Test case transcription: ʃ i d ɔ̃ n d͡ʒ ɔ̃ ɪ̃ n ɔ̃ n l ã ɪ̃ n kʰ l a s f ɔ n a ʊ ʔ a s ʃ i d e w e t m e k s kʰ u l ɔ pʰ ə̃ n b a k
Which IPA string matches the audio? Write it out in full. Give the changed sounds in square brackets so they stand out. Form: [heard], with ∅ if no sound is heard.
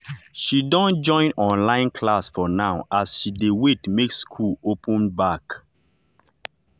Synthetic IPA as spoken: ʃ i d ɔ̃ n d͡ʒ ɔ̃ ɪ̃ n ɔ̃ n l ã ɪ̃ n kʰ l a s f ɔ n a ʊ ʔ a s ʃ i d e w e t m e k s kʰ u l [o] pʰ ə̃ n b a k